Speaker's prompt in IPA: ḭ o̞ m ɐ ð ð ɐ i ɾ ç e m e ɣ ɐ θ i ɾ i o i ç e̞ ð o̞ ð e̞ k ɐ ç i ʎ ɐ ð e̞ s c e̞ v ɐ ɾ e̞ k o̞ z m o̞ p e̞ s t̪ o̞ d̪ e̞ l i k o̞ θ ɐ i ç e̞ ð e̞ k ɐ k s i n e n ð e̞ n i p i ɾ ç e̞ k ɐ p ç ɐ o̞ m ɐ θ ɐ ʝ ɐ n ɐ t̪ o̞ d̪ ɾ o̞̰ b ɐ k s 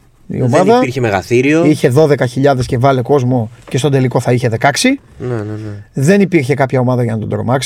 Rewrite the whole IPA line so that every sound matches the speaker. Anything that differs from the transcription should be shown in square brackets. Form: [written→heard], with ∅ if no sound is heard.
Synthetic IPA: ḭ o̞ m ɐ ð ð ɐ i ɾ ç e m e ɣ ɐ θ i ɾ i o i ç e̞ ð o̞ ð e̞ k ɐ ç i ʎ ɐ ð e̞ s c e̞ v ɐ [ɾ→l] e̞ k o̞ z m o̞ [p→c] e̞ s t̪ o̞ d̪ e̞ l i k o̞ θ ɐ i ç e̞ ð e̞ k ɐ k s i n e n ð e̞ n i p i ɾ ç e̞ k ɐ p ç ɐ o̞ m ɐ [θ→ð] ɐ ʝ ɐ n ɐ t̪ o̞ d̪ ɾ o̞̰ [b→m] ɐ k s